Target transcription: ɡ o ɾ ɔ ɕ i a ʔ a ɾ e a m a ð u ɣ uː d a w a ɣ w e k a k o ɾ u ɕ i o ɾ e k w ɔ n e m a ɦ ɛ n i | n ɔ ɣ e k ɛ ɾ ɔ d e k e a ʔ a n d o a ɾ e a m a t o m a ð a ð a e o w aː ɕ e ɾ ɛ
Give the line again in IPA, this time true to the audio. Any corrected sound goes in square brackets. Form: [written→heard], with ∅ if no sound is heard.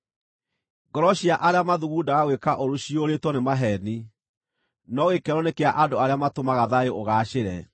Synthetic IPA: ɡ [o→ɔ] ɾ ɔ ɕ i a ʔ a ɾ e a m a ð u ɣ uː d a [w→ɣ] a ɣ w e k a [k→ʔ] o ɾ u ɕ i o ɾ e [k→t] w ɔ n e m a ɦ ɛ n i | n ɔ ɣ e k ɛ ɾ ɔ [d→n] e k e a ʔ a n d o a ɾ e a m a t o m a [ð→ɣ] a ð a e o [w→ɣ] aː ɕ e ɾ ɛ